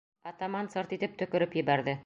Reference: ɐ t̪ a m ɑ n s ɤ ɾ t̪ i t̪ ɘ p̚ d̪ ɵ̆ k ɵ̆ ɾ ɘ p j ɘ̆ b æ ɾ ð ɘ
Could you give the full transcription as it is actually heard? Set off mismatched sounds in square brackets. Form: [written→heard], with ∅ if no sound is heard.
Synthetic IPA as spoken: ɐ t̪ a m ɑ n s ɤ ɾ t̪ i t̪ ɘ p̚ [d̪→t̪] ɵ̆ k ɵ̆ ɾ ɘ p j ɘ̆ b æ ɾ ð ɘ